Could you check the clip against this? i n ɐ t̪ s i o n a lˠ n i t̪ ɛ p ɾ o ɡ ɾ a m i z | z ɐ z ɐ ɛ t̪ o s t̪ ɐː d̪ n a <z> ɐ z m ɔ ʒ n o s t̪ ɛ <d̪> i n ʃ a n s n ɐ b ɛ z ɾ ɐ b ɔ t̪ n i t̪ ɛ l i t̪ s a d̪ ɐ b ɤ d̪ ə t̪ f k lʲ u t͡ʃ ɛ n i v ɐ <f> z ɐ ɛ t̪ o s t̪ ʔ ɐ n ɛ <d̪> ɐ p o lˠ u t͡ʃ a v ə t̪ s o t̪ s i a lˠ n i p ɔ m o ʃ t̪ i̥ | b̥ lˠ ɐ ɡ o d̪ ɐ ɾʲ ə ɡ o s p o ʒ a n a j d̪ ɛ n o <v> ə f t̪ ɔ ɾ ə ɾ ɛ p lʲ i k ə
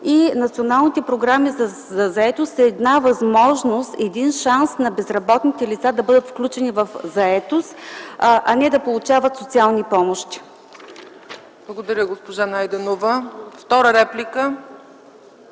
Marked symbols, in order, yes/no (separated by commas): no, yes, yes, yes, yes